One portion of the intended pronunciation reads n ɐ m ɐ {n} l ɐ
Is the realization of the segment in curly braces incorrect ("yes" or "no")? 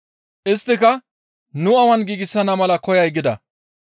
yes